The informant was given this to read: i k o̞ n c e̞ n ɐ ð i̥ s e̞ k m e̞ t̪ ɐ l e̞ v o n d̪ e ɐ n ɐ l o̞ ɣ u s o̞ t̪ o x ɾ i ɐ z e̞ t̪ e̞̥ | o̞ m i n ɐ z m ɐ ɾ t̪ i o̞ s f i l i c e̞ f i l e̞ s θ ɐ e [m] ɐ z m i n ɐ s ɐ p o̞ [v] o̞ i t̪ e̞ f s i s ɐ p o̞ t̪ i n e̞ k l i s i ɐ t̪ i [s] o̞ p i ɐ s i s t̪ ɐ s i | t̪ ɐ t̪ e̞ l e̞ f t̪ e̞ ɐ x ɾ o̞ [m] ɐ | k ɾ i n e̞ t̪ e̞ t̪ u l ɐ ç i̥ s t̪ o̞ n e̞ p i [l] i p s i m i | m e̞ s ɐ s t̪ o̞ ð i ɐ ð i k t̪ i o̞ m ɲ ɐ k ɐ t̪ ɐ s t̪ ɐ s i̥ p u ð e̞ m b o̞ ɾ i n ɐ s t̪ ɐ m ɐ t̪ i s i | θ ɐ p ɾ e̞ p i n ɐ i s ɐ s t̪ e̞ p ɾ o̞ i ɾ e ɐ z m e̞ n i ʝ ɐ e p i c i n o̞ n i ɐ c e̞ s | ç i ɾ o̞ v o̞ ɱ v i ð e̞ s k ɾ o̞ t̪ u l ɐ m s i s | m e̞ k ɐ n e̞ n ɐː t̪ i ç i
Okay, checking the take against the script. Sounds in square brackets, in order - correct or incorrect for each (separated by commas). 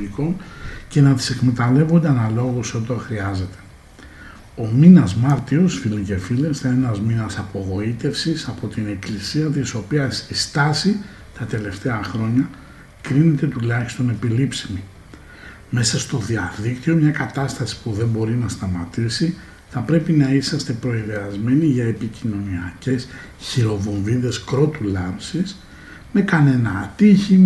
incorrect, incorrect, correct, incorrect, correct